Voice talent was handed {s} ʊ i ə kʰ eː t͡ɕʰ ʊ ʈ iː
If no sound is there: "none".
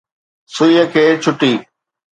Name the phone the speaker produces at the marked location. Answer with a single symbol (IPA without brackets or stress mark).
s